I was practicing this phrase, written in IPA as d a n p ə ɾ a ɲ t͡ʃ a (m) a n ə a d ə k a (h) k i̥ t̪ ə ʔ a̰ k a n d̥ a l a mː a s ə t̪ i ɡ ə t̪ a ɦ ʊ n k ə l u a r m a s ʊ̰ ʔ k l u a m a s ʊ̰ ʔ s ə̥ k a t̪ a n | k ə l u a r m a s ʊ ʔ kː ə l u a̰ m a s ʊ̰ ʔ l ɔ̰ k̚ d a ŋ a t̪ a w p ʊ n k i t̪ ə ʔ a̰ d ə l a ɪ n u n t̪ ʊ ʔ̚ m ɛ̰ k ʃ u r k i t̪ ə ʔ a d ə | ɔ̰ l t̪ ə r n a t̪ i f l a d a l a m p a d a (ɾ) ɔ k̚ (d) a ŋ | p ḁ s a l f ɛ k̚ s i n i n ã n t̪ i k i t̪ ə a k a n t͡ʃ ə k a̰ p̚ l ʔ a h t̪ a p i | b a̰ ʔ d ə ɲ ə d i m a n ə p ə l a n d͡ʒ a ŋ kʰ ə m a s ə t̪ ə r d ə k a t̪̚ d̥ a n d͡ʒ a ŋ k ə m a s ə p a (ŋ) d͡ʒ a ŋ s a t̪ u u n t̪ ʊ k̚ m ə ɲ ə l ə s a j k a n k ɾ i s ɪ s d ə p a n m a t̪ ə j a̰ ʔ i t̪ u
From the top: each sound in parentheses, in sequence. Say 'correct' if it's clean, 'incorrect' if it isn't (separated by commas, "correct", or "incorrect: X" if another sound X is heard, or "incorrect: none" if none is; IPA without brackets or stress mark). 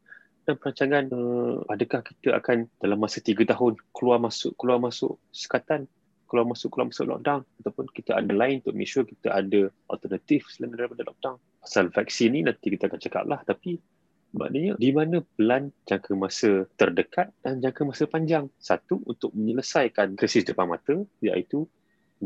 incorrect: ŋ, correct, incorrect: l, correct, incorrect: ɲ